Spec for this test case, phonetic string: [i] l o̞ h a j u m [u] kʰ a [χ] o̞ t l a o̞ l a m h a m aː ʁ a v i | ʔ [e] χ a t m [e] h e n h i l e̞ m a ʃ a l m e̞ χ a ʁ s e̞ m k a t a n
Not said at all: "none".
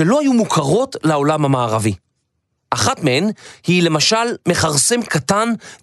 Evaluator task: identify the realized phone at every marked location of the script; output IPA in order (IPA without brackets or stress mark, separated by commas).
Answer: e, u, ʁ, a, e